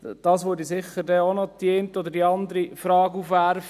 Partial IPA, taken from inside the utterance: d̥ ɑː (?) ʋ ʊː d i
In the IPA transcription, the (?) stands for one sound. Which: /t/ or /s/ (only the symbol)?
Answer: s